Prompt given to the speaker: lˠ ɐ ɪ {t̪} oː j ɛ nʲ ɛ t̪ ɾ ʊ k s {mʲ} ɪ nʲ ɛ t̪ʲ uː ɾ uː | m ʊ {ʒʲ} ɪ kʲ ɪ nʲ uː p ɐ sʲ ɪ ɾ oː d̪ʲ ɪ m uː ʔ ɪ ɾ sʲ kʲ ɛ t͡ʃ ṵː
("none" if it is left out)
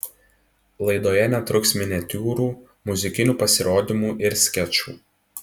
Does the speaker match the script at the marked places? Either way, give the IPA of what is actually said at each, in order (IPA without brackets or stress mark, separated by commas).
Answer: d̪, mʲ, zʲ